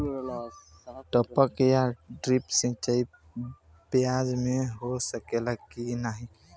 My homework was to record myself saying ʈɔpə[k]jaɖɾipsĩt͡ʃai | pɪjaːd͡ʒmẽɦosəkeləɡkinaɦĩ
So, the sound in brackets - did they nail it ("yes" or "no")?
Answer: yes